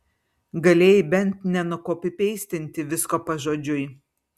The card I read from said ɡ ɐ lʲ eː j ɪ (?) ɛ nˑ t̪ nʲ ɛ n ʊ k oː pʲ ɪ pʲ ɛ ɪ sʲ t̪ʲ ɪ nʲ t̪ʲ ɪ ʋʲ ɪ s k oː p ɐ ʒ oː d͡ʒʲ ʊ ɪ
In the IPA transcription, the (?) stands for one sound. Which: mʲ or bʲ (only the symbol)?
bʲ